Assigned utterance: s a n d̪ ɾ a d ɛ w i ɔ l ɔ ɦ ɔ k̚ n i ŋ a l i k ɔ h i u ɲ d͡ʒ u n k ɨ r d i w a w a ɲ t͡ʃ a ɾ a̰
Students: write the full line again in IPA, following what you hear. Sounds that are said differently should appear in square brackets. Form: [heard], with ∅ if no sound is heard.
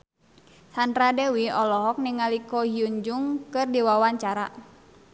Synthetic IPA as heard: s a n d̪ ɾ a d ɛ w i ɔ l ɔ ɦ ɔ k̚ n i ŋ a l i k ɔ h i u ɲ d͡ʒ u [ŋ] k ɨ r d i w a w a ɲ t͡ʃ a ɾ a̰